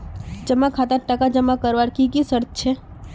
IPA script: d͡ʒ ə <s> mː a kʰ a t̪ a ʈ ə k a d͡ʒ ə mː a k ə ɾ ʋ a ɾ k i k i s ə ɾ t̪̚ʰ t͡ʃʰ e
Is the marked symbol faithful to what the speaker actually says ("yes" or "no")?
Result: no